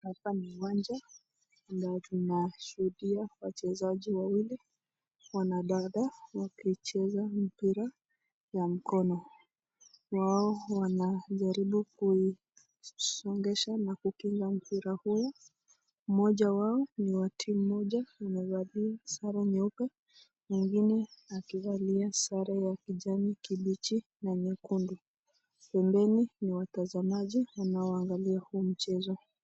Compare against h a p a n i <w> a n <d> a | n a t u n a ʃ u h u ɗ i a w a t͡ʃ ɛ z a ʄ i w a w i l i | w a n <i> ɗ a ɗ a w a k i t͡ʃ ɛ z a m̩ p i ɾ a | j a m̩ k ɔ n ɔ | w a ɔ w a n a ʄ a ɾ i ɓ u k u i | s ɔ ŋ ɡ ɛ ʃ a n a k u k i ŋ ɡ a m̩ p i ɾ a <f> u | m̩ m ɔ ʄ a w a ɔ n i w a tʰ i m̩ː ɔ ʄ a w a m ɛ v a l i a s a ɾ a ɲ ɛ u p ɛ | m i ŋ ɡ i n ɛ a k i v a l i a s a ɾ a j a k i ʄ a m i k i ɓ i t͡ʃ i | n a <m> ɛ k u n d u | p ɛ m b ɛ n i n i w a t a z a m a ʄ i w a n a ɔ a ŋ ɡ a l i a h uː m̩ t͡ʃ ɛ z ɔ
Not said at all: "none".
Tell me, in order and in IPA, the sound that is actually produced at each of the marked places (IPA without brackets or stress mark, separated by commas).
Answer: w, d͡ʒ, a, h, ɲ